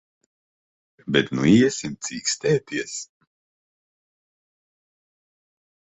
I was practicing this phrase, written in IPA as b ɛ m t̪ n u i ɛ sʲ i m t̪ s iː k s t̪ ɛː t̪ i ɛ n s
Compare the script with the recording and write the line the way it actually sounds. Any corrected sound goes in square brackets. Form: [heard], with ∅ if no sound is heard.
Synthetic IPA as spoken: b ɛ [∅] t̪ n u i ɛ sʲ i m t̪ s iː k s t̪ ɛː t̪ i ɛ [∅] s

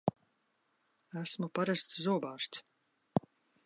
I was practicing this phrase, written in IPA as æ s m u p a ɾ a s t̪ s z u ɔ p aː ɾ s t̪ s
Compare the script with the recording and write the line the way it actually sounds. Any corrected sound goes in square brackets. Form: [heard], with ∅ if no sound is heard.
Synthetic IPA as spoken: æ s m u p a ɾ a s t̪ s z u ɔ [b] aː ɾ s t̪ s

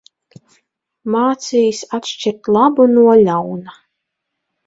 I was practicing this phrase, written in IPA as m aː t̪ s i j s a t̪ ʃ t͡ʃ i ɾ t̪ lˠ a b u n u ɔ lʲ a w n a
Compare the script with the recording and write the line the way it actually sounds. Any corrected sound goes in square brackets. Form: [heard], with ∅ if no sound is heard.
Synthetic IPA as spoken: m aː t̪ s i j s a t̪ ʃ t͡ʃ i ɾ t̪ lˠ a b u n u ɔ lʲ a w n a

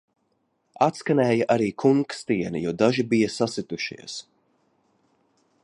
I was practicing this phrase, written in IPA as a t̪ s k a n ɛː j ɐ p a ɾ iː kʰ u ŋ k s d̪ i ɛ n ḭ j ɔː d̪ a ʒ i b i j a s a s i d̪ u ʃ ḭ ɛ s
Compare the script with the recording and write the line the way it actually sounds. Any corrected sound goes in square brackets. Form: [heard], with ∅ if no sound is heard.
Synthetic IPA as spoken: a t̪ s k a n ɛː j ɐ [ʔ] a ɾ iː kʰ u ŋ k s [t̪] i ɛ n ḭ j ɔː d̪ a ʒ i b i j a s a s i [t̪] u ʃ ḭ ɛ s

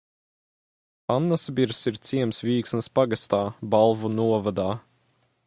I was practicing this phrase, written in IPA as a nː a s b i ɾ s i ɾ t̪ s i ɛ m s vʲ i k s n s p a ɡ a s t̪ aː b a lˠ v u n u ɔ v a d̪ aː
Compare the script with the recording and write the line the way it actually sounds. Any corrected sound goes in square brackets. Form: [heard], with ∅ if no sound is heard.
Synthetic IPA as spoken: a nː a s b i ɾ s i ɾ t̪ s i ɛ m s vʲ [iː] k s n s p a ɡ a s t̪ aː b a lˠ v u n u ɔ v a d̪ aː

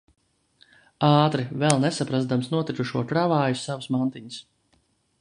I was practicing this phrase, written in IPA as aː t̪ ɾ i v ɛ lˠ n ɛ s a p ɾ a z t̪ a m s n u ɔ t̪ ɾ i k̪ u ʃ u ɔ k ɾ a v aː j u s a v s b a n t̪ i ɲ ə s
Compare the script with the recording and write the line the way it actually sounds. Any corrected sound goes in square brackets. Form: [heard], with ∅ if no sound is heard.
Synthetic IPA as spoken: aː t̪ ɾ i v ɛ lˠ n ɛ s a p ɾ a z [d̪] a m s n u ɔ t̪ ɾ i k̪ u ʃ u ɔ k ɾ a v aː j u s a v s [m] a n t̪ i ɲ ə s

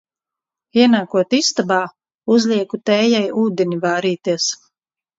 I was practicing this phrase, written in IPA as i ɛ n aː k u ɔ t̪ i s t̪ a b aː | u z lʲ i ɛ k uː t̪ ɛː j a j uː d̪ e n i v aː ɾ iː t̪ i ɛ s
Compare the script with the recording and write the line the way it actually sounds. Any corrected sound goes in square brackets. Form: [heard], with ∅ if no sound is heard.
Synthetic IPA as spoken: i ɛ n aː k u ɔ t̪ i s t̪ a b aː | u z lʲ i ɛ k [u] t̪ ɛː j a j uː d̪ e n i v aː ɾ iː t̪ i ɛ s

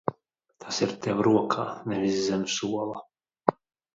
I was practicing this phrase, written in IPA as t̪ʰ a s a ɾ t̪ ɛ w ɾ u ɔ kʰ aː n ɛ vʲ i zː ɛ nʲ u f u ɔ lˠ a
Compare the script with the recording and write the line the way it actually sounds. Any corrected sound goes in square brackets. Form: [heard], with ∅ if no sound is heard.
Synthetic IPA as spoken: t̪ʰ a s [i] ɾ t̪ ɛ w ɾ u ɔ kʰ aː n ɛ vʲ i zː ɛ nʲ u [s] u ɔ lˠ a

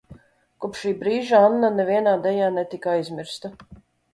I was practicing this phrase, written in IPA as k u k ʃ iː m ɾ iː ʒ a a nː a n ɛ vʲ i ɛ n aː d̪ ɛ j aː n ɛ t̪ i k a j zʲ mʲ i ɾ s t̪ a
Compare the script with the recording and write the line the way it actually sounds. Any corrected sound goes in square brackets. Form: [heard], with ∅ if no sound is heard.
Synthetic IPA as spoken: k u [p] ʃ iː [b] ɾ iː ʒ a a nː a n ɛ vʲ i ɛ n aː d̪ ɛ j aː n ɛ t̪ i k a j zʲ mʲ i ɾ s t̪ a

